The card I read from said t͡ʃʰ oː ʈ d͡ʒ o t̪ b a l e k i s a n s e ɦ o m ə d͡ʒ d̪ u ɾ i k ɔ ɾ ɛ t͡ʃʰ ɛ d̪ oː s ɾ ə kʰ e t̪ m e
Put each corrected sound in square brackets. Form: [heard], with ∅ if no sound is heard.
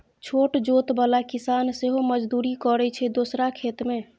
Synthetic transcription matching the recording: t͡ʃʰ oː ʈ d͡ʒ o t̪ b a l [a] k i s a n s e ɦ o m ə d͡ʒ d̪ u ɾ i k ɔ ɾ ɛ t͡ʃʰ ɛ d̪ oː s ɾ [a] kʰ e t̪ m e